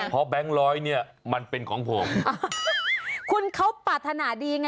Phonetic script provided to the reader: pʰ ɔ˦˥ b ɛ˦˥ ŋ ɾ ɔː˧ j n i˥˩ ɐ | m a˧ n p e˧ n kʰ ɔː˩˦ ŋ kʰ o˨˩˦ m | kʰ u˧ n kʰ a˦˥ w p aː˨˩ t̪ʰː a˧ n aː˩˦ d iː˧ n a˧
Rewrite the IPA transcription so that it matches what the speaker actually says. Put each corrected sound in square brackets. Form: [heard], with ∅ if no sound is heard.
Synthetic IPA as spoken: pʰ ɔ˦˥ b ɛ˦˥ ŋ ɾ [ɔː˦˥] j n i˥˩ ɐ | m a˧ n p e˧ n kʰ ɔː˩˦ ŋ [pʰ] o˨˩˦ m | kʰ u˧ n kʰ a˦˥ w p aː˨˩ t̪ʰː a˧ n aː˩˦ d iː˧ [ŋ] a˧